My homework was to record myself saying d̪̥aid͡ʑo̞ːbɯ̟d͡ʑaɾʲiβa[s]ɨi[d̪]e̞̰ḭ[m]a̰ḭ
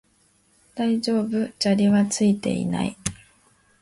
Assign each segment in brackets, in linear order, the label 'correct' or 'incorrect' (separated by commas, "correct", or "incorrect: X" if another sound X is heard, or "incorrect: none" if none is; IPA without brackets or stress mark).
incorrect: t͡s, incorrect: t̪, incorrect: n